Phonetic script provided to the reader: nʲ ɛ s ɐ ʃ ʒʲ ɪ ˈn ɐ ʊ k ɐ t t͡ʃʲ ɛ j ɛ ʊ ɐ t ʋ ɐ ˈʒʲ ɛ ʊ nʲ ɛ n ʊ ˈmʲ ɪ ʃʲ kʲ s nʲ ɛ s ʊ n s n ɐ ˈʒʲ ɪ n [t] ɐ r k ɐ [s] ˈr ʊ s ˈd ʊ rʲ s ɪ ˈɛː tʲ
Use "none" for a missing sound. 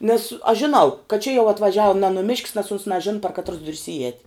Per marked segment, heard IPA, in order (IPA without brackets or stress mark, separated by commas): p, t